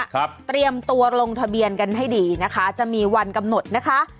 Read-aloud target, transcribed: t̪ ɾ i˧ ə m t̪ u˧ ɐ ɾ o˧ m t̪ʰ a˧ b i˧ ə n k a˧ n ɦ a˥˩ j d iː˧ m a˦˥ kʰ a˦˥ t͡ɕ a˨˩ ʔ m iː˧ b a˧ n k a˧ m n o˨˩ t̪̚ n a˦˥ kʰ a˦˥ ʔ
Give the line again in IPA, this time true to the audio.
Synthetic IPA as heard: t̪ ɾ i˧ ə m t̪ u˧ ɐ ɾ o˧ ŋ t̪ʰ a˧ b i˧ ə n k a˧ n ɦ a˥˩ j d iː˧ n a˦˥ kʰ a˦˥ t͡ɕ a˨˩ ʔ m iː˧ w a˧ n k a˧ m n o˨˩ t̪̚ n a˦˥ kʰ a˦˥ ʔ

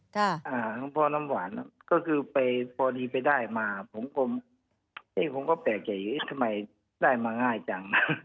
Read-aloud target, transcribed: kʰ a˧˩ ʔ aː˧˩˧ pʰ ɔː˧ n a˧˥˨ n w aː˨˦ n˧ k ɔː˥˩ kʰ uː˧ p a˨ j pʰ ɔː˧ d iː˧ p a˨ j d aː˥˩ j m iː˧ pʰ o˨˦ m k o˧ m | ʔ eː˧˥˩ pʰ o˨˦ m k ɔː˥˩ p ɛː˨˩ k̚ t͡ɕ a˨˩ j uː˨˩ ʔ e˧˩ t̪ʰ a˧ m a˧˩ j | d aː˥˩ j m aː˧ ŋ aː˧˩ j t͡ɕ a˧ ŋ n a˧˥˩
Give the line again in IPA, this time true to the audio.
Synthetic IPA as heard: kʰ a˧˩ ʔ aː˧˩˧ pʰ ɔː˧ n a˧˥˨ m w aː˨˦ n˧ k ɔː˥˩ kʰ ɯː˧ p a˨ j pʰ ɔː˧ d iː˧ p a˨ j d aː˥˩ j m aː˧ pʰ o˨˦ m k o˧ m | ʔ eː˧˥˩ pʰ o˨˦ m k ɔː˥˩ p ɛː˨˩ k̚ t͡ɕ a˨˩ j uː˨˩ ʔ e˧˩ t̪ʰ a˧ m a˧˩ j | d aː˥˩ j m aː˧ ŋ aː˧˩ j t͡ɕ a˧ ŋ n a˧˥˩

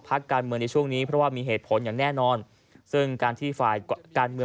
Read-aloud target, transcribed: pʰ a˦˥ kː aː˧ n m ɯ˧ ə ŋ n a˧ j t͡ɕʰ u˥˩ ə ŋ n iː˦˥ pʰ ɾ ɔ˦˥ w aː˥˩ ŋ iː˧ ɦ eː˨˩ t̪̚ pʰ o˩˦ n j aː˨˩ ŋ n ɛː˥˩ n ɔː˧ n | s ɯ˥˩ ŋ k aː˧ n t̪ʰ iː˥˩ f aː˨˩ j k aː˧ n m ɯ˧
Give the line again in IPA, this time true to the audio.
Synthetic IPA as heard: pʰ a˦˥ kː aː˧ n m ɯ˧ ə ŋ n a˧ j t͡ɕʰ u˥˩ ə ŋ n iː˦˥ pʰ ɾ ɔ˦˥ w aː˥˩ m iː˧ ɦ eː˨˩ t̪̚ pʰ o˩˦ n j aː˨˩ ŋ n ɛː˥˩ n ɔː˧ n | s ɯ˥˩ ŋ k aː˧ n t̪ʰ iː˥˩ f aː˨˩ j k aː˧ n m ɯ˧

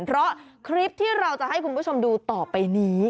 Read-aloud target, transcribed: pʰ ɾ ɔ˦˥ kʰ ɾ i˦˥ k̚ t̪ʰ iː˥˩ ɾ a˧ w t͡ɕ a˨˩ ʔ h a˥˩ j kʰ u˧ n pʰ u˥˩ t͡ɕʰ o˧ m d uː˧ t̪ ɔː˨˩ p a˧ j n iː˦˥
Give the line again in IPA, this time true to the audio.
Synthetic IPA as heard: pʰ ɾ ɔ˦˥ kʰ ɾ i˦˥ p̚ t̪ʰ iː˥˩ ɾ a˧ w t͡ɕ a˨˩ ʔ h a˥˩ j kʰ u˧ n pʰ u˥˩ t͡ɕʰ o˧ m d uː˧ t̪ ɔː˨˩ p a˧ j n iː˦˥

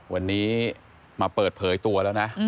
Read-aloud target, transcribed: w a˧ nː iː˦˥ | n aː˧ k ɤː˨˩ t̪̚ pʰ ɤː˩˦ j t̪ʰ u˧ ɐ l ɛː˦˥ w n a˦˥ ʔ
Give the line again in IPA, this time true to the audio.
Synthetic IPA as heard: w a˧ nː iː˦˥ | m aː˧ p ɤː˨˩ t̪̚ pʰ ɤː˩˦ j t̪ u˧ ɐ l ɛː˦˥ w n a˦˥ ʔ

